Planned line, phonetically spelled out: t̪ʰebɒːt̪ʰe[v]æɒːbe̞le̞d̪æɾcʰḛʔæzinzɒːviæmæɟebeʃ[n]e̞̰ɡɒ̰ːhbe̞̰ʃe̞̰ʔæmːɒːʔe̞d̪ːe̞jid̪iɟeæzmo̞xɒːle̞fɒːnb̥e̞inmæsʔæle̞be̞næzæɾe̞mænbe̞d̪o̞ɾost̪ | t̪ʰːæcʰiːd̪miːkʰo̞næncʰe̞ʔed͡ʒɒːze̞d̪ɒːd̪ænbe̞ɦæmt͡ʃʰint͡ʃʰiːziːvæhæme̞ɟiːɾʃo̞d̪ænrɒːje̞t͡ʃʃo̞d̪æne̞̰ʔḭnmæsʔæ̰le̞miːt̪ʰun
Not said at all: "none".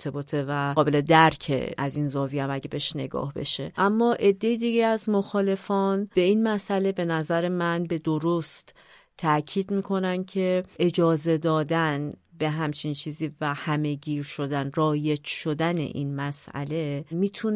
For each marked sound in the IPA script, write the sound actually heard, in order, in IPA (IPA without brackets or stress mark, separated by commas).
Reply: v, n